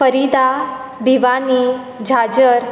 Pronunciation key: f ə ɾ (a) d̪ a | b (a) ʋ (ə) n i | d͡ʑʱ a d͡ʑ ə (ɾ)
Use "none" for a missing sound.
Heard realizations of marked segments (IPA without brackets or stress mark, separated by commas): i, i, a, ɾ